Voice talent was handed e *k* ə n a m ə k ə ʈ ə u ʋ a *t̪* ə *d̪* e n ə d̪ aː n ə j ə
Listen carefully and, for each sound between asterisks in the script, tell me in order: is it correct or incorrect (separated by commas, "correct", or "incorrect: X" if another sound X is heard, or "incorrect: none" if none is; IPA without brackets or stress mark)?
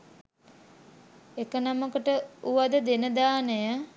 correct, incorrect: d̪, correct